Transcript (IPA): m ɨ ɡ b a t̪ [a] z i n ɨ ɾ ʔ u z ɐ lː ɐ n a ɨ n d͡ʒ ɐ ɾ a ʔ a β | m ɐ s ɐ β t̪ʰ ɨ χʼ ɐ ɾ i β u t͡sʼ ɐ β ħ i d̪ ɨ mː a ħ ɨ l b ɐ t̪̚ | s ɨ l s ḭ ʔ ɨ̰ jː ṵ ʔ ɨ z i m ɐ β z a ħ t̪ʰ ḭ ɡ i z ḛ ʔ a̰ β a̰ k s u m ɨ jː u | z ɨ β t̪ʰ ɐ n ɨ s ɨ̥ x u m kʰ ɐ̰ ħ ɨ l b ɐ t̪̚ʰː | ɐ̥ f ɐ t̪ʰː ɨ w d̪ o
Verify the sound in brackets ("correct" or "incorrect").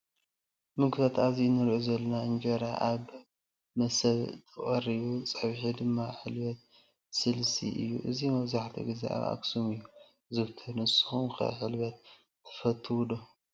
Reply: correct